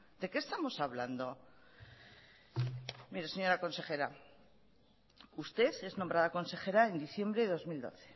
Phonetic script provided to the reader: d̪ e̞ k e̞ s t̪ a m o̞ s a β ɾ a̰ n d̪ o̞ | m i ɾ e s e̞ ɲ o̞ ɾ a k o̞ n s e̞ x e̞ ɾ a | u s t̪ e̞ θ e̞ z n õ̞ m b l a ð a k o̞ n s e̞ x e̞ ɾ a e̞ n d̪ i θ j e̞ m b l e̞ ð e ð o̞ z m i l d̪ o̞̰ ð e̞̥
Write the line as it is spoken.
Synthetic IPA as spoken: d̪ e̞ k e̞ s t̪ a m o̞ s a β l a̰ n d̪ o̞ | m i ɾ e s e̞ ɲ o̞ ɾ a k o̞ n s e̞ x e̞ ɾ a | u s t̪ e̞ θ e̞ z n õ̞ m b ɾ a ð a k o̞ n s e̞ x e̞ ɾ a e̞ n d̪ i θ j e̞ m b ɾ e̞ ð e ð o̞ z m i l d̪ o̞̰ θ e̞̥